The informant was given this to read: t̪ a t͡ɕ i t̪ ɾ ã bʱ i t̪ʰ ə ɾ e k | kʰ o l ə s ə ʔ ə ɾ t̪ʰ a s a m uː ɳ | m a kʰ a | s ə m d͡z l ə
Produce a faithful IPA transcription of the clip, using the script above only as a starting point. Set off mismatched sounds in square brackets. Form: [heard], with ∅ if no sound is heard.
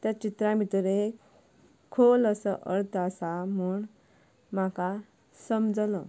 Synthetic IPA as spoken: t̪ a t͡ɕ i t̪ ɾ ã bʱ i [t̪] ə ɾ e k | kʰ o l ə s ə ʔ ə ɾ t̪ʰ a s a m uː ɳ | m a [k] a | s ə m d͡z l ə